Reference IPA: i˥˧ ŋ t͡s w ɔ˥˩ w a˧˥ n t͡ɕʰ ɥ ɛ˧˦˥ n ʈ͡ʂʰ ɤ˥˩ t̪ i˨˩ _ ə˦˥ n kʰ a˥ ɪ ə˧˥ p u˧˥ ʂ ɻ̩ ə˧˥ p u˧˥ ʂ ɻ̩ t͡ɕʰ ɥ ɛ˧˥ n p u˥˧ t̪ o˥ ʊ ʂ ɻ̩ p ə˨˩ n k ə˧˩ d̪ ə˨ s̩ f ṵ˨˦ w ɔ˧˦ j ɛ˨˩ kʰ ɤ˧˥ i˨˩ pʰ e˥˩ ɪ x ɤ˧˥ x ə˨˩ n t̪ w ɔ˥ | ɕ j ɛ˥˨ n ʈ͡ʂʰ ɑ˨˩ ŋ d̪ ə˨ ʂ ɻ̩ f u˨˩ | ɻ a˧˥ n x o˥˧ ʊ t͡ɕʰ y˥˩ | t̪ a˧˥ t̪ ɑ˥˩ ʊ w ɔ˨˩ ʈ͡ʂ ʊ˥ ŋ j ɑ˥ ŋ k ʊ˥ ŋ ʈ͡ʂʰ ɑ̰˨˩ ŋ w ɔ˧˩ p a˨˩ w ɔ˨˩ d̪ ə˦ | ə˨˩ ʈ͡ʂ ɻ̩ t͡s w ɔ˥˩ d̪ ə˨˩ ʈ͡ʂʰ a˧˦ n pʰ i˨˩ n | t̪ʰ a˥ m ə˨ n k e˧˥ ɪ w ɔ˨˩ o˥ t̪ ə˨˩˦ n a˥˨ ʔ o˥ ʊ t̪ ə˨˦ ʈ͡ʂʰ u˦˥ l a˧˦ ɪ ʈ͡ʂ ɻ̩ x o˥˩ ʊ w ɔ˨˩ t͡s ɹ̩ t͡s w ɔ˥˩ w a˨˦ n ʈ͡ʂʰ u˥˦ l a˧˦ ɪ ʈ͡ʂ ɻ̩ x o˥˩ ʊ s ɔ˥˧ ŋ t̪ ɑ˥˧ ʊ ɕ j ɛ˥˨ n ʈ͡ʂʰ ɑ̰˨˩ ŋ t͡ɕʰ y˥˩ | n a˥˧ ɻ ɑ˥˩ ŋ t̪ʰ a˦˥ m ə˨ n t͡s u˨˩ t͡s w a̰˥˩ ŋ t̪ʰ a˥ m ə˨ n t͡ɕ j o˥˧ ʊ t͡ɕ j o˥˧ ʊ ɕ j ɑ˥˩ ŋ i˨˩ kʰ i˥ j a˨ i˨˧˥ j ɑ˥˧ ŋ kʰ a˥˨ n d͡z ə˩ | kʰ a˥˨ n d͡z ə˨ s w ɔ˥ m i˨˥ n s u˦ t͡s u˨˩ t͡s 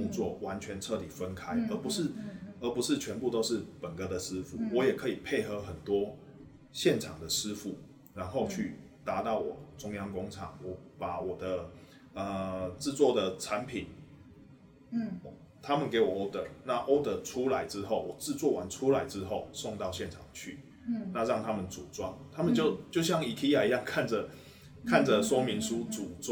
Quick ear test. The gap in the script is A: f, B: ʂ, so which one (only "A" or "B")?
A